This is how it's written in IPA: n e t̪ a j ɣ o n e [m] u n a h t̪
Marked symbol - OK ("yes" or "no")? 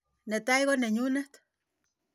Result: no